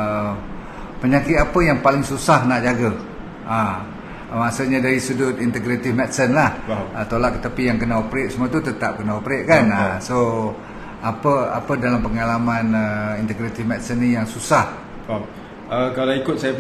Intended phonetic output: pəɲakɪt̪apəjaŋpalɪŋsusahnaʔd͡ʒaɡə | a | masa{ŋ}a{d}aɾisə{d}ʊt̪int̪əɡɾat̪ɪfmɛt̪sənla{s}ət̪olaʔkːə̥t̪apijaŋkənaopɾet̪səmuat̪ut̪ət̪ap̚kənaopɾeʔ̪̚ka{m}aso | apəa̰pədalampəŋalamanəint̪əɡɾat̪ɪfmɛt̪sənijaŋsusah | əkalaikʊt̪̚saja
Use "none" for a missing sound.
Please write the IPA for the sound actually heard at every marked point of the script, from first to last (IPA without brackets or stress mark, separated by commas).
ɲ, d, d, h, n